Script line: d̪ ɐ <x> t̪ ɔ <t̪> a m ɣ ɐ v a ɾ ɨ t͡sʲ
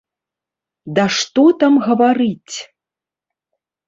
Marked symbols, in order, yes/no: no, yes

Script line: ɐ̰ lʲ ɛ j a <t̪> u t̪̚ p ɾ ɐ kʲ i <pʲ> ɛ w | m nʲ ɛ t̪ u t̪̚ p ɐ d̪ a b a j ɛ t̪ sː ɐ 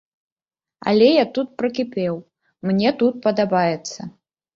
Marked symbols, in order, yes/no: yes, yes

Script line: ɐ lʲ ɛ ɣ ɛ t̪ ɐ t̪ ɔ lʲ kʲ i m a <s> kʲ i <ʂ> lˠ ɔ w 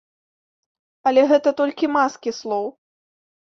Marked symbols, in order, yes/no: yes, no

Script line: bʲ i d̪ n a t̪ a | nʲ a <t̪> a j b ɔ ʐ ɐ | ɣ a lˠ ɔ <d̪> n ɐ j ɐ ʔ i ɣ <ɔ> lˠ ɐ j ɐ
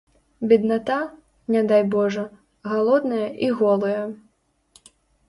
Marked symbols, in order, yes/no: no, yes, yes

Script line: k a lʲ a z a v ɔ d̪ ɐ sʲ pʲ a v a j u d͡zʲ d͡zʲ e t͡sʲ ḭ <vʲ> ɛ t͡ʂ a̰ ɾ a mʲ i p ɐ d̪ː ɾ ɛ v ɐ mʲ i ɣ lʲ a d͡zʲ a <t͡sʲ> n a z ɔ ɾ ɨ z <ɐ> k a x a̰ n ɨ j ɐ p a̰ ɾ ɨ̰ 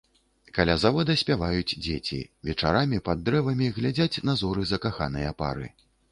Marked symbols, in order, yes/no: yes, yes, yes

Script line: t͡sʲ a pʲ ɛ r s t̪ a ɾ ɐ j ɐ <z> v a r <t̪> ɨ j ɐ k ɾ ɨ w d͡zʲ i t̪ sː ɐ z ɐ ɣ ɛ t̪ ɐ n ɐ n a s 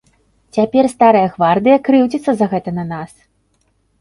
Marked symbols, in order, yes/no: no, no

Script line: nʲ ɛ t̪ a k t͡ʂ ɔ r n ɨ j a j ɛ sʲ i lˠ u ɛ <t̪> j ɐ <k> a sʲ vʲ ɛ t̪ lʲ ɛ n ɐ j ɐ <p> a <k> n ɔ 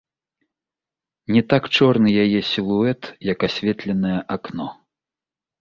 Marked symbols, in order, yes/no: yes, yes, no, yes

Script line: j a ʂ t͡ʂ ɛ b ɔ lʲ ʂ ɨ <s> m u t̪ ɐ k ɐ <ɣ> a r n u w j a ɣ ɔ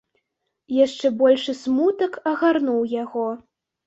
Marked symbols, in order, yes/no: yes, yes

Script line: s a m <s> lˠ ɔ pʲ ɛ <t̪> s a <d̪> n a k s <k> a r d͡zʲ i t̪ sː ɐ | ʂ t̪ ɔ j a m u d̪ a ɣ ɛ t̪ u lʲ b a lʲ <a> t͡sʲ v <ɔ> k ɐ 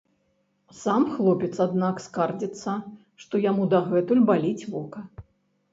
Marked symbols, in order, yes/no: no, yes, yes, yes, no, yes

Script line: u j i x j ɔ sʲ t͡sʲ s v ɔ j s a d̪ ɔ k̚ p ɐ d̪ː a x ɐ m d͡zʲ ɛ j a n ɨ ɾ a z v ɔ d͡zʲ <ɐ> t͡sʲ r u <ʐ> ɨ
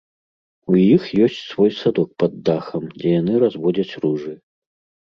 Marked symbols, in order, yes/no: yes, yes

